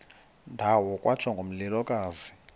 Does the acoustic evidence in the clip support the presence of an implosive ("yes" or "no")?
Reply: no